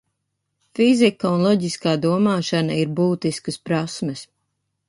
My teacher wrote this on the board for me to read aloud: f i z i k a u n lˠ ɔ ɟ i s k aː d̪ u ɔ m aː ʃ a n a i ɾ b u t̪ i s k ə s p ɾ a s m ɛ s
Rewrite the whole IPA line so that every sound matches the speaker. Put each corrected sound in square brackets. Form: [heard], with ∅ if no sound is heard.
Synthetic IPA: f i z i k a u n lˠ ɔ ɟ i s k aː d̪ u ɔ m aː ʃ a n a i ɾ b [uː] t̪ i s k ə s p ɾ a s m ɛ s